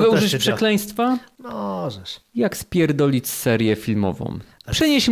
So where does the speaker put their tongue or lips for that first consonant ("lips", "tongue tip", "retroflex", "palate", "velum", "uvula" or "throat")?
velum